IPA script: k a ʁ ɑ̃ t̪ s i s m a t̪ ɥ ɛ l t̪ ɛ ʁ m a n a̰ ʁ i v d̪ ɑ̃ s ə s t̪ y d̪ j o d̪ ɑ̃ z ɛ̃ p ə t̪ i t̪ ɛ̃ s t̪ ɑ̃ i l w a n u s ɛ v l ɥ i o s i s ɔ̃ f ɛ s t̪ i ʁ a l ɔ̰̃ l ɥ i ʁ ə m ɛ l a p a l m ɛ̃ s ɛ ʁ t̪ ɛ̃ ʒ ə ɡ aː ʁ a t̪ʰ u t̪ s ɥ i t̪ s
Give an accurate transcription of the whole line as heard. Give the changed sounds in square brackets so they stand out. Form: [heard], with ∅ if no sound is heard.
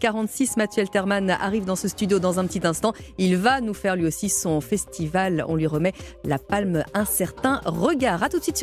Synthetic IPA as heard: k a ʁ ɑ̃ t̪ s i s m a t̪ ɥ ɛ l t̪ ɛ ʁ m a n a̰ ʁ i v d̪ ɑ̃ s ə s t̪ y d̪ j o d̪ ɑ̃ z ɛ̃ p ə t̪ i t̪ ɛ̃ s t̪ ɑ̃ i l [v] a n u [f] ɛ [ʁ] l ɥ i o s i s ɔ̃ f ɛ s t̪ i [v] a l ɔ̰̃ l ɥ i ʁ ə m ɛ l a p a l m ɛ̃ s ɛ ʁ t̪ ɛ̃ [ʁ] ə ɡ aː ʁ a [t̪] u t̪ s ɥ i t̪ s